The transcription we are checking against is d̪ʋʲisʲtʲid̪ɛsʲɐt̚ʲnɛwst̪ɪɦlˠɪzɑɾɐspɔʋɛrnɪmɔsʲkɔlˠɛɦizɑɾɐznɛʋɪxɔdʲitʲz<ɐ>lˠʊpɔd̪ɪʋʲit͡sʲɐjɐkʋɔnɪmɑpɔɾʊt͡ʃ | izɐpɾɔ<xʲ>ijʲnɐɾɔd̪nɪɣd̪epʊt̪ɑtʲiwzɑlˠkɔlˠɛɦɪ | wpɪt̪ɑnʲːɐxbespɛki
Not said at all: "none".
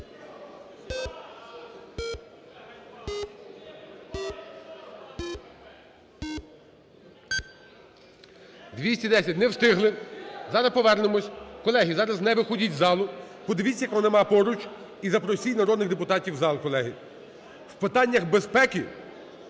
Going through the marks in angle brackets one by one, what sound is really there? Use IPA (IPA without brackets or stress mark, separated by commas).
ɑ, sʲ